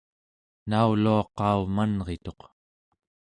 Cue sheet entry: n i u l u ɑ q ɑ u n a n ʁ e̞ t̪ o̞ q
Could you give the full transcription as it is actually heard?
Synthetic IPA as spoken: n a u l u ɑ q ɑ u m a n ʁ e̞ t̪ o̞ q